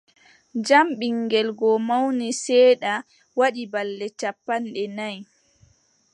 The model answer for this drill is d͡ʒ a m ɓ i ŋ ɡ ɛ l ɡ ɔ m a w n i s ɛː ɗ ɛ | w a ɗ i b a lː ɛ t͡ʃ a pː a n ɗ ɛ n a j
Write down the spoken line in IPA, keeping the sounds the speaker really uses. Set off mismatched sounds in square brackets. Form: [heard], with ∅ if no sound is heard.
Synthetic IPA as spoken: d͡ʒ a m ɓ i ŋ ɡ ɛ l ɡ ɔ m a w n i s ɛː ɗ [a] | w a ɗ i b a lː ɛ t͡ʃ a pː a n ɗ ɛ n a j